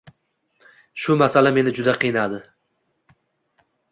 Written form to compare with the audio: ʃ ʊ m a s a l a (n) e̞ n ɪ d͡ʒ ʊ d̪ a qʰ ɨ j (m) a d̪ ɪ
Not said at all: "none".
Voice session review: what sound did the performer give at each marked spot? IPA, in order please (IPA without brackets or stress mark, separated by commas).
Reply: m, n